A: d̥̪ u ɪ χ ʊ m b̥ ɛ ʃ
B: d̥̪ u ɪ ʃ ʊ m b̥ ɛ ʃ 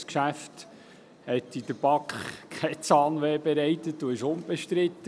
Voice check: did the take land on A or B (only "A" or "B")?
B